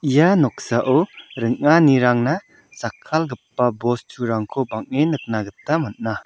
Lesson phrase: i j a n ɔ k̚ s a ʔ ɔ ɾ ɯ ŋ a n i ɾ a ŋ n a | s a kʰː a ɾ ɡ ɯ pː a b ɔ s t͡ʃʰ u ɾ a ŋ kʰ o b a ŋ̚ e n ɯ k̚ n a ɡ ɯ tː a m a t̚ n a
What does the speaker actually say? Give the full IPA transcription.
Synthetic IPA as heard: i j a n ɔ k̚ s a ʔ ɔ ɾ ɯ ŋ a n i ɾ a ŋ n a | s a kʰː a l ɡ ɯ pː a b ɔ s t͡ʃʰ u ɾ a ŋ kʰ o b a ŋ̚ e n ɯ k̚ n a ɡ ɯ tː a m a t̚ n a